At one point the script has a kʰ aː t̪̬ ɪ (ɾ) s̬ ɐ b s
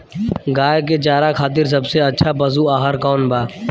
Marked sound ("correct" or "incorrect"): correct